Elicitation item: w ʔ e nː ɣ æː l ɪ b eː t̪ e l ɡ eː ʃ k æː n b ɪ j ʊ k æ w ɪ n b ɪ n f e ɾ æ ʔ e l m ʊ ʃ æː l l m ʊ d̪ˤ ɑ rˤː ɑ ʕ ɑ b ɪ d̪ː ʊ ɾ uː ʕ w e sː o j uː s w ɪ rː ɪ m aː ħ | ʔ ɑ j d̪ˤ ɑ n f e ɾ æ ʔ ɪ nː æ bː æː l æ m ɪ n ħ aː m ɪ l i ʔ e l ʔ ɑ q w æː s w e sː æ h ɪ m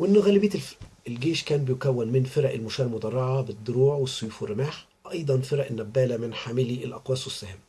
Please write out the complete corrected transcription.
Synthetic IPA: w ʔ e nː ɣ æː l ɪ b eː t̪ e l ɡ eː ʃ k æː n b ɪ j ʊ k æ wː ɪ n m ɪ n f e ɾ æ ʔ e l m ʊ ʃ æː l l m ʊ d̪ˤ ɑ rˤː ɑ ʕ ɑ b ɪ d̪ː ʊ ɾ uː ʕ w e sː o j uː f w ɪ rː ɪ m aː ħ | ʔ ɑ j d̪ˤ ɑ n f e ɾ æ ʔ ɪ nː æ bː æː l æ m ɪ n ħ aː m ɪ l i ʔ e l ʔ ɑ q w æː s w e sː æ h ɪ m